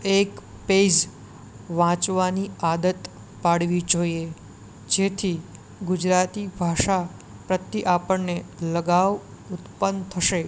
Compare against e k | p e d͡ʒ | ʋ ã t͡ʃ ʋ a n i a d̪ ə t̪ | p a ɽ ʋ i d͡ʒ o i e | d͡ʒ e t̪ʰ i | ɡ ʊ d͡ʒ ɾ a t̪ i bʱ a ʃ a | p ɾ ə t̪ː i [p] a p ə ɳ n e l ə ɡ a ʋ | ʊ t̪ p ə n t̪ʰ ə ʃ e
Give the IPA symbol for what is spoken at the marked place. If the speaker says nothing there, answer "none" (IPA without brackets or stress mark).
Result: ʔ